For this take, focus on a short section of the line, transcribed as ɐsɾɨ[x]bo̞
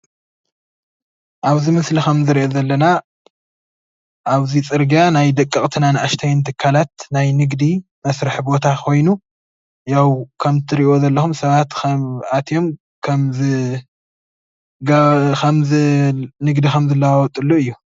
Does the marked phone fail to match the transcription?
yes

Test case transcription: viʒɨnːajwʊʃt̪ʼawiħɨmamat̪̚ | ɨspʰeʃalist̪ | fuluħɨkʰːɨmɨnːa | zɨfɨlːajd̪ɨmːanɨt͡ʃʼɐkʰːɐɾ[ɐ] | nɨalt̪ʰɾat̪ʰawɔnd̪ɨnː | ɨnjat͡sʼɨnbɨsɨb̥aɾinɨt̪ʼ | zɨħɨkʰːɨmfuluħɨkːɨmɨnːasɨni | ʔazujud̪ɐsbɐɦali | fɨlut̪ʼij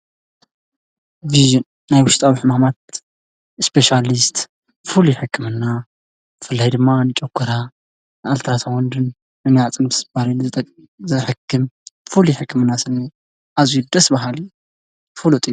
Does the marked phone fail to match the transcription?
yes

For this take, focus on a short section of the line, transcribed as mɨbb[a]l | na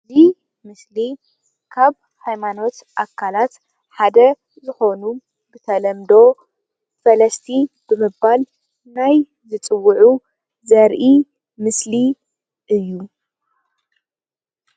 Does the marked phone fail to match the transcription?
no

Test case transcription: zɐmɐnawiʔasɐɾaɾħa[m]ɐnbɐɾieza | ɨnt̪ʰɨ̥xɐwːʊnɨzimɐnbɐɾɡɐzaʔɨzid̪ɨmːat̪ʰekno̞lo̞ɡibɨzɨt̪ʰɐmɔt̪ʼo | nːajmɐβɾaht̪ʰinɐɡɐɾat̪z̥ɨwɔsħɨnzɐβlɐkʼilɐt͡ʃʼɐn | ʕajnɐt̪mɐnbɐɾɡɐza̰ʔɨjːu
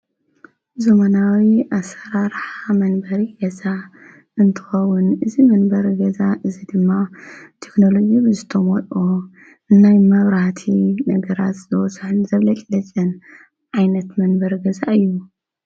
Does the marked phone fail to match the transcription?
no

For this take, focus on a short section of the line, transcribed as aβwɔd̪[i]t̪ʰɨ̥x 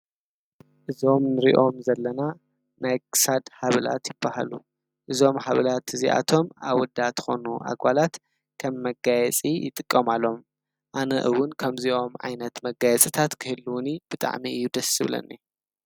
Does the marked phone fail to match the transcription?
yes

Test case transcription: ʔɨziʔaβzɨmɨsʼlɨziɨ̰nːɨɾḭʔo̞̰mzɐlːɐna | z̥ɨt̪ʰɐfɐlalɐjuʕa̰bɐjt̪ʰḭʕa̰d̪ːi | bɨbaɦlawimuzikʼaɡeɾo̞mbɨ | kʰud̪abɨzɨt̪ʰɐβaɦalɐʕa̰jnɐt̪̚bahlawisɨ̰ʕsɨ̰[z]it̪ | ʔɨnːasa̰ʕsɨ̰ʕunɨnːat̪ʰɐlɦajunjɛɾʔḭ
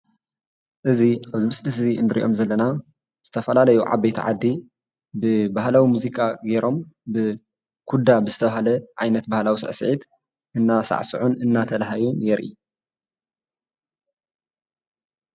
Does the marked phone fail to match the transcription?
yes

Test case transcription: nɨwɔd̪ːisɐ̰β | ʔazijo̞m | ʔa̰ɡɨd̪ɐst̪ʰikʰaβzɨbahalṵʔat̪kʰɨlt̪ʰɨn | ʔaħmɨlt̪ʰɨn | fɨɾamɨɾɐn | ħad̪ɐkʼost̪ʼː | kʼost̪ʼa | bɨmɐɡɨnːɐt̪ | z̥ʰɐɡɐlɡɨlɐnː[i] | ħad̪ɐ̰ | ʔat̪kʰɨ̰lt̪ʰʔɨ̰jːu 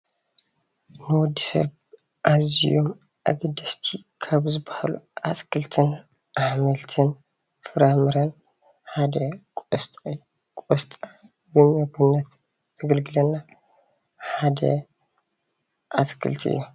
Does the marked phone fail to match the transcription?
yes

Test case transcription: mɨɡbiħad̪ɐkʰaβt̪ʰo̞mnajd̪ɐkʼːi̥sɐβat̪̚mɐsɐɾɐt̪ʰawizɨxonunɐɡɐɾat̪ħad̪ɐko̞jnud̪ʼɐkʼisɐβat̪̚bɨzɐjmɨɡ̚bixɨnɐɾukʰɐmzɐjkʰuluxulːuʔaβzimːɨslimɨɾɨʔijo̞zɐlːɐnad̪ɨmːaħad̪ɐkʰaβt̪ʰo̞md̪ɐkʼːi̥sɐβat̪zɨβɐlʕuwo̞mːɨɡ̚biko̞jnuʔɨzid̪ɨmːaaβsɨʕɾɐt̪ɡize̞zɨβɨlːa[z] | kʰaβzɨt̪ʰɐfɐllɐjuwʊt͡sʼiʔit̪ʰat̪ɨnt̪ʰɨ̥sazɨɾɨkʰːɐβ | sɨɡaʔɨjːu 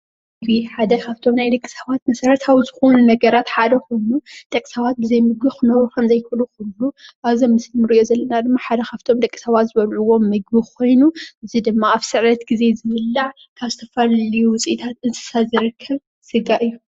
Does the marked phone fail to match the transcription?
yes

